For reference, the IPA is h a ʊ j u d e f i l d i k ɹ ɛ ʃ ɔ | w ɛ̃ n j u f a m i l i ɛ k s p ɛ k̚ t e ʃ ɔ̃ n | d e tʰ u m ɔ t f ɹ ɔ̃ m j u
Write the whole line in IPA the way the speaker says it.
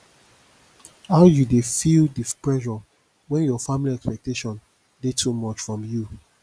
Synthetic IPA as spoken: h a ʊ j u d e f i l d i p ɹ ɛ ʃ ɔ | w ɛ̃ n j ɔ f a m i l i ɛ k s p ɛ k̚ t e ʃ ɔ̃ n | d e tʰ u m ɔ t͡ʃ f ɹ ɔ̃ m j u